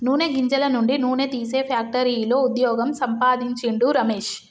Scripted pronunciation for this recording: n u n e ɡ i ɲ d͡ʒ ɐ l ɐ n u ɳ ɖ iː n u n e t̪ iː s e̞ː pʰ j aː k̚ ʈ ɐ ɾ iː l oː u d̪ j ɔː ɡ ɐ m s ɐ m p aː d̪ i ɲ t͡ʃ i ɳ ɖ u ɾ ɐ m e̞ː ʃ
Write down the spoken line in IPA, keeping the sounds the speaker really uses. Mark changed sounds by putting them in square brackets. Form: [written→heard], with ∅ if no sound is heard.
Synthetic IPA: n [u→uː] n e ɡ i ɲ d͡ʒ ɐ l ɐ n u ɳ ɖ [iː→i] n [u→uː] n e t̪ iː s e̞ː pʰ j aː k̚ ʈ ɐ ɾ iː l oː u d̪ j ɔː ɡ ɐ m s ɐ m p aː d̪ i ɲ t͡ʃ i ɳ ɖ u ɾ ɐ m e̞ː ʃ